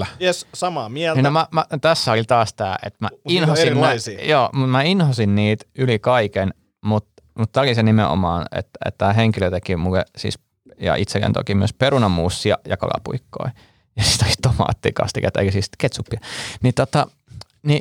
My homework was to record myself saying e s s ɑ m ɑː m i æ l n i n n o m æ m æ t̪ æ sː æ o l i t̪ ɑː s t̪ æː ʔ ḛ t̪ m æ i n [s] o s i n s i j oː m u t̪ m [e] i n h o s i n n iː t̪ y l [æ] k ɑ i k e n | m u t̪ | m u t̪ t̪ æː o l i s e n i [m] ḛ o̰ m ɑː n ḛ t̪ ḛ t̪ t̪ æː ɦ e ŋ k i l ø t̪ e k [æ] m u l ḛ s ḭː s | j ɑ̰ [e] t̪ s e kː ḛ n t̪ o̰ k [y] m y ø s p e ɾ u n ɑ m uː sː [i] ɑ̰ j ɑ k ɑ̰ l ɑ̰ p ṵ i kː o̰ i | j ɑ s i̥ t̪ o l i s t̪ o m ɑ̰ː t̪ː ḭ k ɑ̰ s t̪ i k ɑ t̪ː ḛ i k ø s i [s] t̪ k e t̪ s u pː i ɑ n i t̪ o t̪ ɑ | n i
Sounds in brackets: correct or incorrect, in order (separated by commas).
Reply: incorrect, incorrect, incorrect, correct, incorrect, incorrect, incorrect, correct, correct